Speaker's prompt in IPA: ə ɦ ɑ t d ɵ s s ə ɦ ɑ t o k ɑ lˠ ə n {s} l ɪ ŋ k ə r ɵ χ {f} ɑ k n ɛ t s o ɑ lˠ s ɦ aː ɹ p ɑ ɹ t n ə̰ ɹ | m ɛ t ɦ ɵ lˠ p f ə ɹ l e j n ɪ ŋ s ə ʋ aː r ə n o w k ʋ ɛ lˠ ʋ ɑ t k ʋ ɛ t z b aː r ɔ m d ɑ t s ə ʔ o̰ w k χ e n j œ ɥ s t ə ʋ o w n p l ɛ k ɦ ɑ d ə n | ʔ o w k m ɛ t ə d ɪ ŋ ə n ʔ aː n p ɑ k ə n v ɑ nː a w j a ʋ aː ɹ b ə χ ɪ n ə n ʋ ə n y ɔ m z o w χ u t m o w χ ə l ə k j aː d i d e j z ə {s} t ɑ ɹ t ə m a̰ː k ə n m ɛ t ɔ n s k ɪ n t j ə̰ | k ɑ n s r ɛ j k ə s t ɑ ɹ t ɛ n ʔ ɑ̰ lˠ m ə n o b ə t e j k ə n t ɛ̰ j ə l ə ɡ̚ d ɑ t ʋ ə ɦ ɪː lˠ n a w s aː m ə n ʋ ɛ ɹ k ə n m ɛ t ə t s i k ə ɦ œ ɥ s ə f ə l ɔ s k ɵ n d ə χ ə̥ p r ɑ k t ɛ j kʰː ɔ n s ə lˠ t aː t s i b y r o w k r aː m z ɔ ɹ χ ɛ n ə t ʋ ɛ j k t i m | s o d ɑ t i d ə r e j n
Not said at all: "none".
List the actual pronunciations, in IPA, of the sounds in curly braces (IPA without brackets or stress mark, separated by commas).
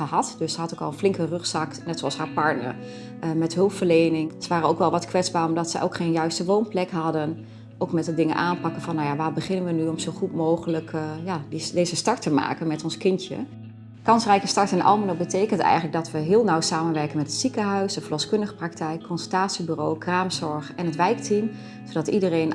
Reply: f, s, s